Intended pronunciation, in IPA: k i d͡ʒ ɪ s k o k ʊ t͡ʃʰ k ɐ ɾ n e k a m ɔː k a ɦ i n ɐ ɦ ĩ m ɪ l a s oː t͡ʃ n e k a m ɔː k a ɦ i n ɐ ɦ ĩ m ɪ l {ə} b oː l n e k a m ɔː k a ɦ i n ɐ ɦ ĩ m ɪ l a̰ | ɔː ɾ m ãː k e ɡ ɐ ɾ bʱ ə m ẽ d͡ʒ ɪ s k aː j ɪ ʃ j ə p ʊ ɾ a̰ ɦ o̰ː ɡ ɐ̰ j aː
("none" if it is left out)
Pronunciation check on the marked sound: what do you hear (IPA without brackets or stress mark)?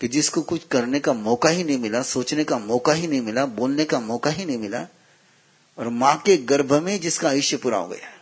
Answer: a